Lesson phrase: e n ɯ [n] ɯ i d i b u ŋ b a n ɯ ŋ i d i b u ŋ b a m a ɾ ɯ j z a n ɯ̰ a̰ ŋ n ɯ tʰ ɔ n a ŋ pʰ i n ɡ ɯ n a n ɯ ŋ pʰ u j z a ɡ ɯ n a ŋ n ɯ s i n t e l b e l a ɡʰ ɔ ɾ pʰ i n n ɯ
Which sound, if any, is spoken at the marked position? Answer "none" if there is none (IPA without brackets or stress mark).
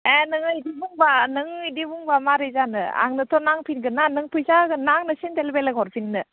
ŋ